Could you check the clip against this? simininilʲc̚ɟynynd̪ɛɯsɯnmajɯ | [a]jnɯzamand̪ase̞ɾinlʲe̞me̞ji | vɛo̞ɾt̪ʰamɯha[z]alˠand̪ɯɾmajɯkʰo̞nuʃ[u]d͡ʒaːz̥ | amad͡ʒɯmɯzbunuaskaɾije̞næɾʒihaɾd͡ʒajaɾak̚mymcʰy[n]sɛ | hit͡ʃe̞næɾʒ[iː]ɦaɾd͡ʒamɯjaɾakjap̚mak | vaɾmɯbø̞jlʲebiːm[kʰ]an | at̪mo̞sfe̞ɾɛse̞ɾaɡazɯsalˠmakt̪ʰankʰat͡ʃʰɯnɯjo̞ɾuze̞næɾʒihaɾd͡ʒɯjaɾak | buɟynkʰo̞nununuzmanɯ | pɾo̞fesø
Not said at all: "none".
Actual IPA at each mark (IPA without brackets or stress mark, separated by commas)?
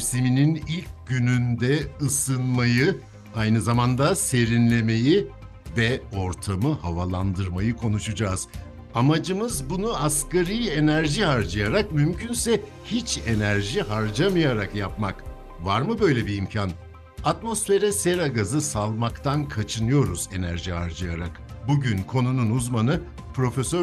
a, v, u, n, i, cʰ